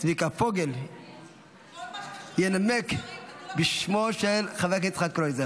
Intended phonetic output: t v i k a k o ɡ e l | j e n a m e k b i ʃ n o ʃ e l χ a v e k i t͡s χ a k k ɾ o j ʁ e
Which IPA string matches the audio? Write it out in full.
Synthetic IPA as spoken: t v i k a p o ɡ e l | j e n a m e k b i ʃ m o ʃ e l χ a v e k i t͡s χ a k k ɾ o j z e